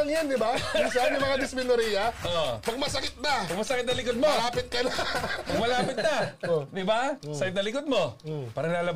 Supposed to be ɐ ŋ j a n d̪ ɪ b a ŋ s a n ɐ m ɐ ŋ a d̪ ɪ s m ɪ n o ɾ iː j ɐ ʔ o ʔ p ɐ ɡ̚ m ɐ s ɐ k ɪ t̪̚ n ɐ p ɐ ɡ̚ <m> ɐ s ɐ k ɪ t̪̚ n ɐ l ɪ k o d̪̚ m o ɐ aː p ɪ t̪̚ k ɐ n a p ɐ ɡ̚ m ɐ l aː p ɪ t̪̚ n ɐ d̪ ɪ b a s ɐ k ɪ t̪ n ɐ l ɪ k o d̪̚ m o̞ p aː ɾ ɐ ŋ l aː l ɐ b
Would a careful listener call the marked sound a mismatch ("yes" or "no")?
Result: no